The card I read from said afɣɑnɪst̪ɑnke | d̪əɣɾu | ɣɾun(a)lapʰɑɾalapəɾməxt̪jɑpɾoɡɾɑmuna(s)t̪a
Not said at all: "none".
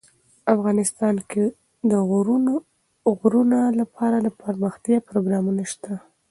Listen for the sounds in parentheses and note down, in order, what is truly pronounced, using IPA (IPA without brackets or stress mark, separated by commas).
a, ʃ